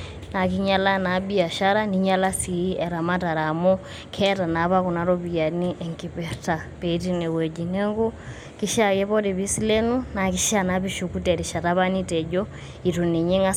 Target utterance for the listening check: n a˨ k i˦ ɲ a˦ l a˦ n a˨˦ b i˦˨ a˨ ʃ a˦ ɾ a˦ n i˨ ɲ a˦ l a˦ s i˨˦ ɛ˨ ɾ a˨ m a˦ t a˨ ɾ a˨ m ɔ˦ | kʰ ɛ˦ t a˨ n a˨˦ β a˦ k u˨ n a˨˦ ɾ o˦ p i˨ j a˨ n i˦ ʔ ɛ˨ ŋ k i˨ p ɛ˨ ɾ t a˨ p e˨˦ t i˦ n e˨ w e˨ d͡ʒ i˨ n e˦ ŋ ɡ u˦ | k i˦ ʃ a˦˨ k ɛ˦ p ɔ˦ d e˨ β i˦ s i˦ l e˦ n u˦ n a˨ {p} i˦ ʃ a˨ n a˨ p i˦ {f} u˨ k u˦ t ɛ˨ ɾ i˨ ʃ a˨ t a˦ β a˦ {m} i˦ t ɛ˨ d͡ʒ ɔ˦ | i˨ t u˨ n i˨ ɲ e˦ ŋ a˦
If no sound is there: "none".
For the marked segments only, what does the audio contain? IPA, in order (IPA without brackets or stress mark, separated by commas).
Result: k, ʃ, n